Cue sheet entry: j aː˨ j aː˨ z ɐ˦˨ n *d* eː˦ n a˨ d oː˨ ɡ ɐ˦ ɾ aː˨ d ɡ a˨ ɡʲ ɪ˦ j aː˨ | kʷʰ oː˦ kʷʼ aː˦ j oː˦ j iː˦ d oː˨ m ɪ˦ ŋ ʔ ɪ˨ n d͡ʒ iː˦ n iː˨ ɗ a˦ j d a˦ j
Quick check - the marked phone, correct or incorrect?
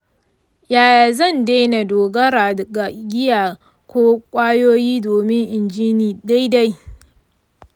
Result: correct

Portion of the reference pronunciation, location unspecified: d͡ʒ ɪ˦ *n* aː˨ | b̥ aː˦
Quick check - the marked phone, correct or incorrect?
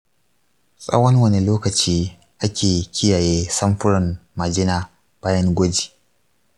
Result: correct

